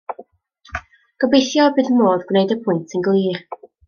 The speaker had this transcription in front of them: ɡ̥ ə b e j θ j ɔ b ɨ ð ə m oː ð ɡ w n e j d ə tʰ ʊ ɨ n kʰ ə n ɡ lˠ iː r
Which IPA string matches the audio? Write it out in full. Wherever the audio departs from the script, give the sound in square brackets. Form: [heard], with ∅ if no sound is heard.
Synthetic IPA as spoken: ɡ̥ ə b e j θ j ɔ b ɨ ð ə m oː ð ɡ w n e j d ə [pʰ] ʊ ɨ n [tʰ] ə n ɡ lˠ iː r